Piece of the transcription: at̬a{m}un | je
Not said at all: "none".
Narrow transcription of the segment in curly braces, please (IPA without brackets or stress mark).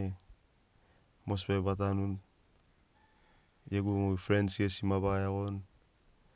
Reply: n